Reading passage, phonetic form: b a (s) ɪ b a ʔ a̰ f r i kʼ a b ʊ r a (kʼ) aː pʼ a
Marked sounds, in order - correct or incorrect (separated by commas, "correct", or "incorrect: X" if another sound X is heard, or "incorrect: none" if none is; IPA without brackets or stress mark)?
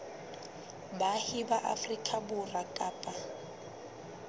incorrect: h, correct